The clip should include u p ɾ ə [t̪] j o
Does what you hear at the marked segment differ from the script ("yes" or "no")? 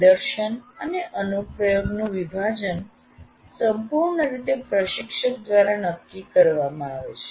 yes